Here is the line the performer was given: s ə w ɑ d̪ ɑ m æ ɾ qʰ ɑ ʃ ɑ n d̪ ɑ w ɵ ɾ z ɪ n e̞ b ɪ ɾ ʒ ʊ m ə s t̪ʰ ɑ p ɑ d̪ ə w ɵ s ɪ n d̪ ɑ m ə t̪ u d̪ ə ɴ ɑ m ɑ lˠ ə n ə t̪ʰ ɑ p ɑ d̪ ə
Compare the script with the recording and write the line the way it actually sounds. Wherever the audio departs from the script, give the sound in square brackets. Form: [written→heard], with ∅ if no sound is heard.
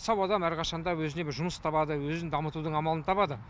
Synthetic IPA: s [ə→ɑ] w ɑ d̪ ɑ m æ ɾ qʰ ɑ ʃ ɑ n d̪ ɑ w ɵ [ɾ→∅] z ɪ n e̞ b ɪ ɾ ʒ ʊ m ə s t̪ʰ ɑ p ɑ d̪ ə w ɵ [s→z] ɪ n d̪ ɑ m ə t̪ u d̪ ə ɴ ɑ m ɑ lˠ ə n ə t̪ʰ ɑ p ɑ d̪ ə